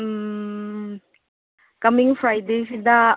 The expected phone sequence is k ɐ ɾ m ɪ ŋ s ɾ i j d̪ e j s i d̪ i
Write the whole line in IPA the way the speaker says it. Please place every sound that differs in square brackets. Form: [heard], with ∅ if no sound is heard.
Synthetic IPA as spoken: k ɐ [∅] m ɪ ŋ [f] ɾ [a] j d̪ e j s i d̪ [a]